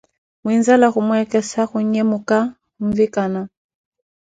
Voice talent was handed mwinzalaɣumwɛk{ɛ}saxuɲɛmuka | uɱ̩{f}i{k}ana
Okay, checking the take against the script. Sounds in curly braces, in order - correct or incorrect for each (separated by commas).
correct, incorrect, correct